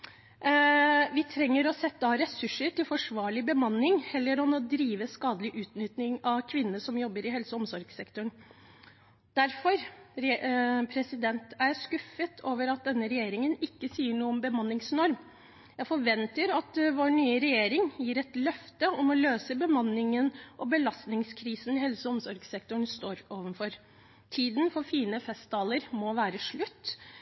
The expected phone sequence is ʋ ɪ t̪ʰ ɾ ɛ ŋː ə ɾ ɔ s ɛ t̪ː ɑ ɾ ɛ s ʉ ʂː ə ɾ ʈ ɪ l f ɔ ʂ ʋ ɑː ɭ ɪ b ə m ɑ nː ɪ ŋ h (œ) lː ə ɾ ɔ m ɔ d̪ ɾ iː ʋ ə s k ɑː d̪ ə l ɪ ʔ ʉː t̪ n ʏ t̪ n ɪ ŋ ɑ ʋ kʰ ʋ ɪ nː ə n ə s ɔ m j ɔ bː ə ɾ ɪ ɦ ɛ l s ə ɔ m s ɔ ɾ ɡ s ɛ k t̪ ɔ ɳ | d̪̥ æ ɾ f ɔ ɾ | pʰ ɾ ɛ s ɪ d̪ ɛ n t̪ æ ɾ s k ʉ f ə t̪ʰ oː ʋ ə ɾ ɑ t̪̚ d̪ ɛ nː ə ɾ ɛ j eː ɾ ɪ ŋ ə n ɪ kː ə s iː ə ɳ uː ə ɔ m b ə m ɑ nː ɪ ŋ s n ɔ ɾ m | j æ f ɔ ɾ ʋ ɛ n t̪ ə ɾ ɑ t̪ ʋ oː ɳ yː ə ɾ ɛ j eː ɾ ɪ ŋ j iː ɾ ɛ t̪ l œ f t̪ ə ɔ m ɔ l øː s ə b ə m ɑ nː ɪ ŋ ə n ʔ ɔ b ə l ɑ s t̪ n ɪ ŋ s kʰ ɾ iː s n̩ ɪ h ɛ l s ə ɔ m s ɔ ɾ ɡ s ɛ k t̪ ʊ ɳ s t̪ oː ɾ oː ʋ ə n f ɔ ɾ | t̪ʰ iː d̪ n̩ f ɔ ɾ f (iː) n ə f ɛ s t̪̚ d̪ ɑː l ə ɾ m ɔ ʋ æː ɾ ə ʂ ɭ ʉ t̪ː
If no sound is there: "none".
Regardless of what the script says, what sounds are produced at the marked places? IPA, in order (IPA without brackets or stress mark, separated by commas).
ɛ, iː